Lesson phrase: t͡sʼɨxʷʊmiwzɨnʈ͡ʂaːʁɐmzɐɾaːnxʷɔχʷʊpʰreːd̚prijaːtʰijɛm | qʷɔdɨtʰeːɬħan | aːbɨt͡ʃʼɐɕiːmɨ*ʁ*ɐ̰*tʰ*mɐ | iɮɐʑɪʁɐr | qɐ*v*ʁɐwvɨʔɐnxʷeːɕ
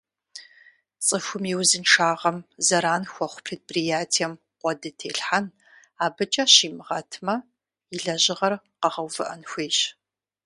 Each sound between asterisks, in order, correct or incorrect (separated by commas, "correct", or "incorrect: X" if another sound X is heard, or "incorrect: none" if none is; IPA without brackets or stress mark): correct, correct, incorrect: none